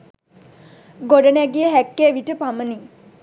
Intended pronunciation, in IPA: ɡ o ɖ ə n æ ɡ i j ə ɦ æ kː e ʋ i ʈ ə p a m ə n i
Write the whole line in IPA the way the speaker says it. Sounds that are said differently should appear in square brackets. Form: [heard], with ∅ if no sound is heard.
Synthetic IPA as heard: ɡ o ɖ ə n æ ɡ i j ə ɦ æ kː e ʋ i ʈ ə p a m ə n i